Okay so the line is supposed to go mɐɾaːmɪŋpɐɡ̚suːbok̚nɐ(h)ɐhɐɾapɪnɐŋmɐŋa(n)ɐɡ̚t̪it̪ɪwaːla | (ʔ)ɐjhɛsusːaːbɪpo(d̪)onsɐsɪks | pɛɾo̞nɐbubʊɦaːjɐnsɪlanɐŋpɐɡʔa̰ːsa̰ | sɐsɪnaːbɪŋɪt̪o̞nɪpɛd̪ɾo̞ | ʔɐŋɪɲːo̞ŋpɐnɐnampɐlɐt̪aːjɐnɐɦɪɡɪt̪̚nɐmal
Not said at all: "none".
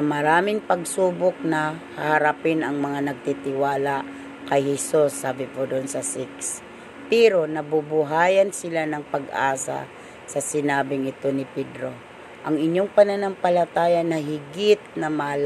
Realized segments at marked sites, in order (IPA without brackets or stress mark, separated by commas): h, n, k, d̪